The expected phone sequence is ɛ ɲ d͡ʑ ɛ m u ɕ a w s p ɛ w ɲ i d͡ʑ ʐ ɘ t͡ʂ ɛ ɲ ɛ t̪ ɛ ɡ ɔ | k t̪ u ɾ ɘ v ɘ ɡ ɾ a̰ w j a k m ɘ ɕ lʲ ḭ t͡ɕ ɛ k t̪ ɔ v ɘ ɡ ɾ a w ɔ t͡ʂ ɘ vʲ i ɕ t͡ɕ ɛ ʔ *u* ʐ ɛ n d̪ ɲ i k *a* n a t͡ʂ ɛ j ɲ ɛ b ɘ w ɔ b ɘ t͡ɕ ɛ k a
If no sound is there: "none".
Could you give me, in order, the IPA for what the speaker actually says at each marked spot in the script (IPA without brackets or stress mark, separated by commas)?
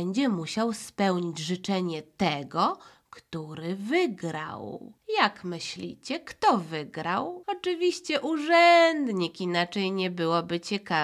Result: u, i